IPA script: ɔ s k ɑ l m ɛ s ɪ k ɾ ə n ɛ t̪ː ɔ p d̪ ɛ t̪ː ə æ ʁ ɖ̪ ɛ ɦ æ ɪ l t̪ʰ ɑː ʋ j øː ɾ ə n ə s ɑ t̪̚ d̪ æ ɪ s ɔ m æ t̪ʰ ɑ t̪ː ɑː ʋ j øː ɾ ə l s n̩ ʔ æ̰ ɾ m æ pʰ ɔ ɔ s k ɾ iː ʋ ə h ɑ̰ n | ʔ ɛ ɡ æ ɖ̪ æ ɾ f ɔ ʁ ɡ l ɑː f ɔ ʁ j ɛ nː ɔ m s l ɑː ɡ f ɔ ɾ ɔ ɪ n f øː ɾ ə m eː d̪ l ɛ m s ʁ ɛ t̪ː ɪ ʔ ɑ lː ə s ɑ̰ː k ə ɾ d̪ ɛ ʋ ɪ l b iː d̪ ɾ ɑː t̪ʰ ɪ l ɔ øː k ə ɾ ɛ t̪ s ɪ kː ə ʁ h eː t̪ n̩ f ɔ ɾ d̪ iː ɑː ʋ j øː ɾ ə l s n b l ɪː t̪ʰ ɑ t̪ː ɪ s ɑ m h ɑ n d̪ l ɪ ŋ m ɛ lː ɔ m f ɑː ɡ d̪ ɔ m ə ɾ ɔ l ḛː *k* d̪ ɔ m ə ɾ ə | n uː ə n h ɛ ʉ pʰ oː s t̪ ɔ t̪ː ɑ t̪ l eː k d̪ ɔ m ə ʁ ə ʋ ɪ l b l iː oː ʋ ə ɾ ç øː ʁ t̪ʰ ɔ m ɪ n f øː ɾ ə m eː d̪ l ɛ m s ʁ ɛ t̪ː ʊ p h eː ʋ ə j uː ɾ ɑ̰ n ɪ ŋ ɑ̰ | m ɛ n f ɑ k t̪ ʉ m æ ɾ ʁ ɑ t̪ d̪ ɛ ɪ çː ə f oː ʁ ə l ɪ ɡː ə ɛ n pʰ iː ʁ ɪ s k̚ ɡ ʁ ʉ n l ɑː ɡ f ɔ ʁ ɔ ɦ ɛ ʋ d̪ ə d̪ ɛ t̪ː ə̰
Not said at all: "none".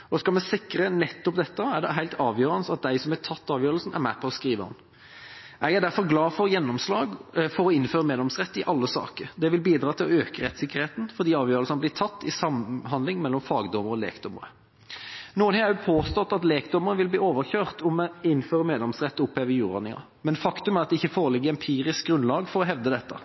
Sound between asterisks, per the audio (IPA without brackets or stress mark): k